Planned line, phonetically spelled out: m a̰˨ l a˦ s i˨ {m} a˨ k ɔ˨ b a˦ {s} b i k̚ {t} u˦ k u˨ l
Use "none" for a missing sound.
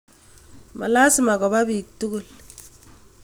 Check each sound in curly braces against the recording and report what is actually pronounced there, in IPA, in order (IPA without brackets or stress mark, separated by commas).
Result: m, none, t